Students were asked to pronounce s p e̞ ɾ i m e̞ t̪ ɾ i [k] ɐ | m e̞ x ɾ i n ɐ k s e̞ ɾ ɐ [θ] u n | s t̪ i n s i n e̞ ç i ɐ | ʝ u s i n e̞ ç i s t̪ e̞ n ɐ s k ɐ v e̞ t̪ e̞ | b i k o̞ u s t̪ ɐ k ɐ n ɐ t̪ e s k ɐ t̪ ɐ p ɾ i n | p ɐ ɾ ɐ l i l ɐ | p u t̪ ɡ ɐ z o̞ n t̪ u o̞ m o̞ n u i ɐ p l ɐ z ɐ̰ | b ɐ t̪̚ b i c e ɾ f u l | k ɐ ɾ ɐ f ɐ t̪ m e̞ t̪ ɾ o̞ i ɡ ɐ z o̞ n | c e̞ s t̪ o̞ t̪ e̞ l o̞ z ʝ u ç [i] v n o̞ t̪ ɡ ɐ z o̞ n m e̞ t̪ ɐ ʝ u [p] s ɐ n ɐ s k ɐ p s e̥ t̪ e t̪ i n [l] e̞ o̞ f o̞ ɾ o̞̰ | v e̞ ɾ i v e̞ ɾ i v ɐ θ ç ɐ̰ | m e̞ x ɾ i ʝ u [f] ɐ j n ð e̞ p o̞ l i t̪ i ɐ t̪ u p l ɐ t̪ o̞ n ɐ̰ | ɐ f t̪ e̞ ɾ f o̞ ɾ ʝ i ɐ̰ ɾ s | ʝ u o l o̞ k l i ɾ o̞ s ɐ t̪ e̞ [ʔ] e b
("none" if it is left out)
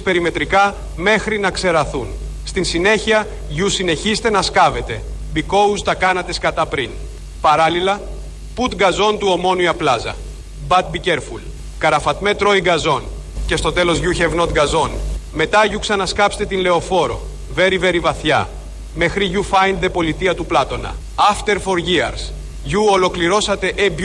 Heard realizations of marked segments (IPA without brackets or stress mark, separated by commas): k, θ, e, k, l, f, ʔ